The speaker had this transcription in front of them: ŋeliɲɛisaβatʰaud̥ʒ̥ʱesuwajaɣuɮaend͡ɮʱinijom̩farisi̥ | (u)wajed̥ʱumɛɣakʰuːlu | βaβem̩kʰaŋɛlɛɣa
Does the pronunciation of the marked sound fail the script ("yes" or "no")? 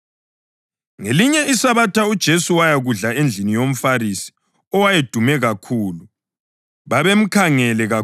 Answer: yes